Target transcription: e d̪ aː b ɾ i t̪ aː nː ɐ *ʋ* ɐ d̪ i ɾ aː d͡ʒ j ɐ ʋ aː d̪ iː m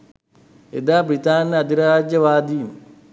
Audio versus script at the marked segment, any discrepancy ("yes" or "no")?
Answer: yes